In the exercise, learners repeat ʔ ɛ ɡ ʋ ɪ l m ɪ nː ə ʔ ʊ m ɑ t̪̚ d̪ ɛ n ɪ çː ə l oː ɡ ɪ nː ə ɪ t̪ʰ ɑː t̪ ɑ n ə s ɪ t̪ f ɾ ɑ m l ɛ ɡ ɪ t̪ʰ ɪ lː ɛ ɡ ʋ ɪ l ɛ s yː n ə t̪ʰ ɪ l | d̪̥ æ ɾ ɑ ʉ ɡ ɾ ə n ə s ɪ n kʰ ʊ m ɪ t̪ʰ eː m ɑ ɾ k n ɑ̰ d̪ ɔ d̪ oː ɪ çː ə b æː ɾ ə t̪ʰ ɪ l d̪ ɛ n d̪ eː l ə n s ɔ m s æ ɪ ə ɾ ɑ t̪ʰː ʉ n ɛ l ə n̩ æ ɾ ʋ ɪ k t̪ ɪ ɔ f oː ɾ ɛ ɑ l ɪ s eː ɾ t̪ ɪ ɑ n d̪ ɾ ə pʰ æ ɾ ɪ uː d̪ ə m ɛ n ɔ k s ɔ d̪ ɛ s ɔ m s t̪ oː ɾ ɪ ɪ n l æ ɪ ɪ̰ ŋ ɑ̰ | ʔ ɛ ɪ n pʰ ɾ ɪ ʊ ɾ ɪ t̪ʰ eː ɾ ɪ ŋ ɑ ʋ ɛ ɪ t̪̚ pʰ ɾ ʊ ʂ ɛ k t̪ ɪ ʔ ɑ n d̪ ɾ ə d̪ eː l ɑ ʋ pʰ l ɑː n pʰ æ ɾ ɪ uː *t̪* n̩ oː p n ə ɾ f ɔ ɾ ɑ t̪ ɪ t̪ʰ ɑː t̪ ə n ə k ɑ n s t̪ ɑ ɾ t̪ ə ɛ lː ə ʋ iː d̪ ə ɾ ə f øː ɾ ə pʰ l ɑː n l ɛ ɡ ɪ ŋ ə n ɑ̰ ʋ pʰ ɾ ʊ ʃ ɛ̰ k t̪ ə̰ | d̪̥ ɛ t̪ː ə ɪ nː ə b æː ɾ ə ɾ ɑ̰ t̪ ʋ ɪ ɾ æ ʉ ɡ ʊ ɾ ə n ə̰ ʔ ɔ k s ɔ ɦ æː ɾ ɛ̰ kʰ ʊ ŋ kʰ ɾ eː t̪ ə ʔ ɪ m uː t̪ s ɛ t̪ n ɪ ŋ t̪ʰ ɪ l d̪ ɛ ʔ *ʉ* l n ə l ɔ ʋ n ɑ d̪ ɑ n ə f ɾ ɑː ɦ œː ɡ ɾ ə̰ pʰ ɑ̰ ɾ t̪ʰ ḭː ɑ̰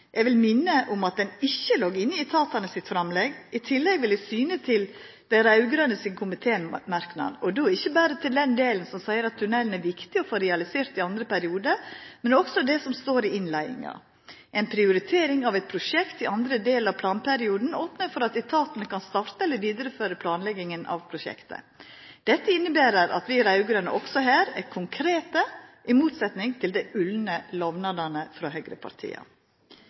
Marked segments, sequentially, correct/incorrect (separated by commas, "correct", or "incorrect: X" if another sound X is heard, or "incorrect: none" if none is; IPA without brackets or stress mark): incorrect: d̪, correct